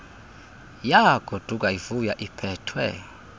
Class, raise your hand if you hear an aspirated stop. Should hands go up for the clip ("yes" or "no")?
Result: yes